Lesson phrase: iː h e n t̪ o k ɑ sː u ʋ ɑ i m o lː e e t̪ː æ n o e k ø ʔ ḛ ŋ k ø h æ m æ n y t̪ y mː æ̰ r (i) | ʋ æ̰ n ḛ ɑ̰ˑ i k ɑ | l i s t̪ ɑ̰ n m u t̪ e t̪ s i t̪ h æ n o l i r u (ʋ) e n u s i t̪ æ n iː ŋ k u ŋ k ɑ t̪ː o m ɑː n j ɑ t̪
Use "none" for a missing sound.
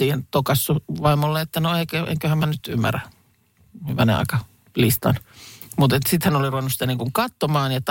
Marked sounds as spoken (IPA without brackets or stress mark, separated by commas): æ, ʋ